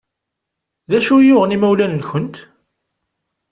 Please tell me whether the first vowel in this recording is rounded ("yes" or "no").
no